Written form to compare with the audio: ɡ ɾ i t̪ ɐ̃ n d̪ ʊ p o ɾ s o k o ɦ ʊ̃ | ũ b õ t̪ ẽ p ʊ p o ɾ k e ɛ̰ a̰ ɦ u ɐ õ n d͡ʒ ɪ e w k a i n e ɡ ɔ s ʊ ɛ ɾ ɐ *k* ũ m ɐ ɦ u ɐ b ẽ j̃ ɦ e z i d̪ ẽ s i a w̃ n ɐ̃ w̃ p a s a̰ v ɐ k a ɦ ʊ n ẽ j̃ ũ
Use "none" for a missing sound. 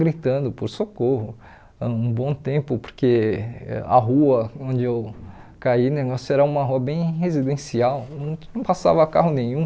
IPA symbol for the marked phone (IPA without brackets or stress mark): none